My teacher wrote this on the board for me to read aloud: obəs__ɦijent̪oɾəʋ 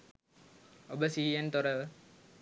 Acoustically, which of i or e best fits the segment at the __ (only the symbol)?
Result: i